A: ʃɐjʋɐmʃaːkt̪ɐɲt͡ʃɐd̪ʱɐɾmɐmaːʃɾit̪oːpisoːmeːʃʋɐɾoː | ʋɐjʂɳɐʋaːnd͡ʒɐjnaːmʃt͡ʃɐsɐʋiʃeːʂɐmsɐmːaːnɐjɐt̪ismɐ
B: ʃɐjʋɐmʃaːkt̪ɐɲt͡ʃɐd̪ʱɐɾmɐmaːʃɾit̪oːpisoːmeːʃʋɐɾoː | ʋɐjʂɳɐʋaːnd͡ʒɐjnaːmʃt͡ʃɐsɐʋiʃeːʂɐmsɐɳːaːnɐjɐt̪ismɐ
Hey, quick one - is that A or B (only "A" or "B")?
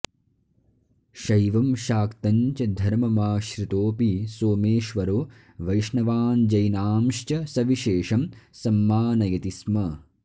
A